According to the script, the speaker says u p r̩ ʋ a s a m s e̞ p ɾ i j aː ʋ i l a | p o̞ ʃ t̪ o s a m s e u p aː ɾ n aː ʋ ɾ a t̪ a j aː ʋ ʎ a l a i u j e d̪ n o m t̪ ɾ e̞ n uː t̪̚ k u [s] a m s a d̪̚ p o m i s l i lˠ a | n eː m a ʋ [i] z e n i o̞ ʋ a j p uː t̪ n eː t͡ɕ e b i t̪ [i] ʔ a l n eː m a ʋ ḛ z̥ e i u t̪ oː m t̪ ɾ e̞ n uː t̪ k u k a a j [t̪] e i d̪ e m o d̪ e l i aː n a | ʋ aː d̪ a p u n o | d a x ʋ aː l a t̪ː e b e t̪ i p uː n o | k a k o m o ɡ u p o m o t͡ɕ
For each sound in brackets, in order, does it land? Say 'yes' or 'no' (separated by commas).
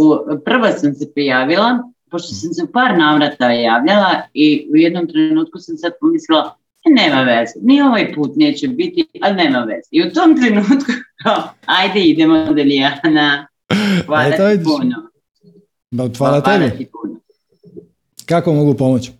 yes, no, yes, no